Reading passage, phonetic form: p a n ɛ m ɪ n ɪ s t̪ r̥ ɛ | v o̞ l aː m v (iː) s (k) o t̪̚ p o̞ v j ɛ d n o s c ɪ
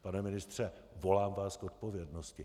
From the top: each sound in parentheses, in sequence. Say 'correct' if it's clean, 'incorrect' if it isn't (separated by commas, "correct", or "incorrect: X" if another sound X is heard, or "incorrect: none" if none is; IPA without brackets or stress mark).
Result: incorrect: aː, correct